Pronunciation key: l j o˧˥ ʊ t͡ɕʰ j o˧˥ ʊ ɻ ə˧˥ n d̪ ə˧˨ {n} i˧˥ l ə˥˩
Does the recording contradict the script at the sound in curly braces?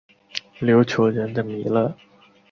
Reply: yes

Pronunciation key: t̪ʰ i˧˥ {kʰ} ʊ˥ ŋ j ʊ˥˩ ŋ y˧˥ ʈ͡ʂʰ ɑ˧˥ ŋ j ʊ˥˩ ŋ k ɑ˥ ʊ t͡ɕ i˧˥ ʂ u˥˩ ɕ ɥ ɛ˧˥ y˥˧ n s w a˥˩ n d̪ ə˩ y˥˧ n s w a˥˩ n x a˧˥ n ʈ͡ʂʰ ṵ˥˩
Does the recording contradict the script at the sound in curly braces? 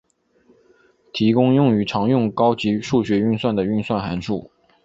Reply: yes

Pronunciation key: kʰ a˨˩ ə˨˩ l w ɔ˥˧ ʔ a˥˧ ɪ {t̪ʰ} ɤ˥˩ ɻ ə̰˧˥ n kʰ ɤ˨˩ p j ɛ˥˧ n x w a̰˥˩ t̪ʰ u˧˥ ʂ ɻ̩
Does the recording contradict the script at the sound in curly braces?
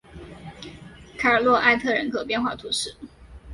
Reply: no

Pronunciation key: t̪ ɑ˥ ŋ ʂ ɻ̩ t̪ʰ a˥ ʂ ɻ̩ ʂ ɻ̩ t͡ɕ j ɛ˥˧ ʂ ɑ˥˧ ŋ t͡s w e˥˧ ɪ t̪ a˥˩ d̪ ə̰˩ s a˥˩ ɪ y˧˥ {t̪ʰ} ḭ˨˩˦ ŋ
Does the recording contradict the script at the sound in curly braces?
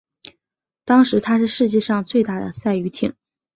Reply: no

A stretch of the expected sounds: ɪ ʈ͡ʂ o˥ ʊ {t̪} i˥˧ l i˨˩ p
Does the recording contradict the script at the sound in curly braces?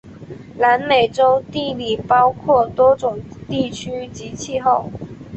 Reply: no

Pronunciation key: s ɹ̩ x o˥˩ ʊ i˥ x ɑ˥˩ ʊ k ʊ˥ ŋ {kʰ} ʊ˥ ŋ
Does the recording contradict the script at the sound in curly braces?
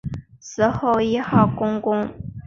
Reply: yes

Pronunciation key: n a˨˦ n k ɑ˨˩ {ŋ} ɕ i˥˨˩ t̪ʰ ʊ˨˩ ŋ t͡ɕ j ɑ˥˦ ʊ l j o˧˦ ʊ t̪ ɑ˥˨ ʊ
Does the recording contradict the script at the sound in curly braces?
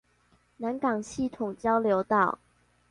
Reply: no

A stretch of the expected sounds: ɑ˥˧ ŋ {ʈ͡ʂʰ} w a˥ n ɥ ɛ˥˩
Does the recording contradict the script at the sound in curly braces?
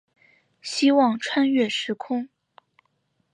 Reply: no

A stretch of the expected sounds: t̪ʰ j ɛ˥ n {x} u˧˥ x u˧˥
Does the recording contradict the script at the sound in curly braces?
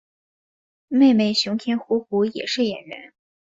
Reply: no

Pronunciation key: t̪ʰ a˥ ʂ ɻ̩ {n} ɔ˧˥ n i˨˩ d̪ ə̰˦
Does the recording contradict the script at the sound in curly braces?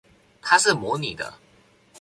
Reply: yes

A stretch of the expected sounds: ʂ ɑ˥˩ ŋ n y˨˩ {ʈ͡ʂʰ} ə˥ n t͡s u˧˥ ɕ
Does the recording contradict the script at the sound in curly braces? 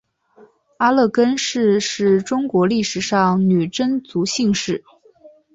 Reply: yes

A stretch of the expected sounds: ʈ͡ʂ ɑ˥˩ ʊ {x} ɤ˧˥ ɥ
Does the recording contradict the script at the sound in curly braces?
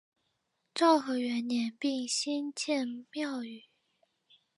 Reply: no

